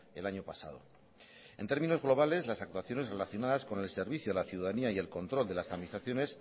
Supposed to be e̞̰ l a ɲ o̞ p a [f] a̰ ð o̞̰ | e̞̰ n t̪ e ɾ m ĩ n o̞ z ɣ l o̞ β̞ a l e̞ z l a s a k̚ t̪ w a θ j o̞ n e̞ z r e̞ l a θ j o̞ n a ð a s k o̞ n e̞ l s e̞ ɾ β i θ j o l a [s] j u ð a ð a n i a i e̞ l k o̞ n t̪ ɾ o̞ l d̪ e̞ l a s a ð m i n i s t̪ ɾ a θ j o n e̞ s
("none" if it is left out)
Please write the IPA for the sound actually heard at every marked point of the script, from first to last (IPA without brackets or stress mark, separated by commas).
s, θ